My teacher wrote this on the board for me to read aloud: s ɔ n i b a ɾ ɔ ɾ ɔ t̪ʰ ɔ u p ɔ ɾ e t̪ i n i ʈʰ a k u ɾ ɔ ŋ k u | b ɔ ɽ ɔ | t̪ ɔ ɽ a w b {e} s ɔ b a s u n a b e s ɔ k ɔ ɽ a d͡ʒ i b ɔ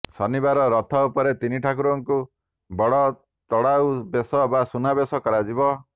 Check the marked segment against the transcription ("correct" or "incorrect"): correct